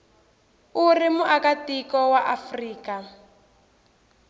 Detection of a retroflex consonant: absent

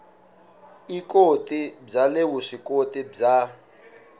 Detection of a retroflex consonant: present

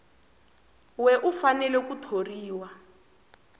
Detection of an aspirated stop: present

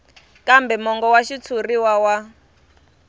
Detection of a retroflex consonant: absent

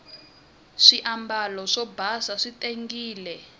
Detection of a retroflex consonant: present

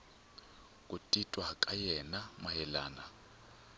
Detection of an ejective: present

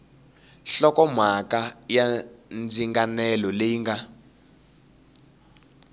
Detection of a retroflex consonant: absent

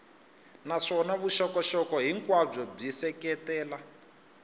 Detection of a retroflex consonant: present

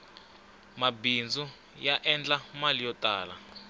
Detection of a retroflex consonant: absent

